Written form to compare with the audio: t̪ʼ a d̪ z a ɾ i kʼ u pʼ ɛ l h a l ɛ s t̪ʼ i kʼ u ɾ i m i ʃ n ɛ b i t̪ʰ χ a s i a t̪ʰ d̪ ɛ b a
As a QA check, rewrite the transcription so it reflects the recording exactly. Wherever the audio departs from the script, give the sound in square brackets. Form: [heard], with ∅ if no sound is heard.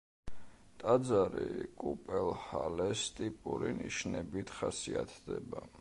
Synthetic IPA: t̪ʼ a d̪ z a ɾ i kʼ u pʼ ɛ l h a l ɛ s t̪ʼ i [pʼ] u ɾ i [n] i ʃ n ɛ b i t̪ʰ χ a s i a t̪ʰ d̪ ɛ b a